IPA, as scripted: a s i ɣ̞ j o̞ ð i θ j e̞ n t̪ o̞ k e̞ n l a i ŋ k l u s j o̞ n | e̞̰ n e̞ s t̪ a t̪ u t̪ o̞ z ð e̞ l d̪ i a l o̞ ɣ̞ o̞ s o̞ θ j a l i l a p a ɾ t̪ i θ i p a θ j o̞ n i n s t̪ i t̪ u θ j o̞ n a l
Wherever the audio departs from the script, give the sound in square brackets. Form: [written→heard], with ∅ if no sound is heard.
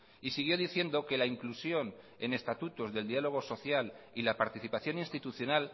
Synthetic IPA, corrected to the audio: [a→i] s i ɣ̞ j o̞ ð i θ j e̞ n [t̪→d̪] o̞ k e̞ [n→∅] l a i ŋ k l u s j o̞ n | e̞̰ n e̞ s t̪ a t̪ u t̪ o̞ z ð e̞ l d̪ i a l o̞ ɣ̞ o̞ s o̞ θ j a l i l a p a ɾ t̪ i θ i p a θ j o̞ n i n s t̪ i t̪ u θ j o̞ n a l